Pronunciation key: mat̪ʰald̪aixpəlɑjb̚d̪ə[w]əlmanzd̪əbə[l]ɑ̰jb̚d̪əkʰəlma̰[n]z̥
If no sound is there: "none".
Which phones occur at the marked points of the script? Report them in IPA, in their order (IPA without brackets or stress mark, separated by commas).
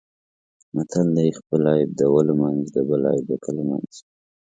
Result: w, l, n